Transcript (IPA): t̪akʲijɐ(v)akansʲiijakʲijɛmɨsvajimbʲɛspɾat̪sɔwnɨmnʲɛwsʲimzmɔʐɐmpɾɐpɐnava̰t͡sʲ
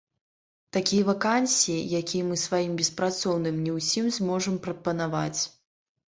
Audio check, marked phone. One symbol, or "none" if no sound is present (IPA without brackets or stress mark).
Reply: v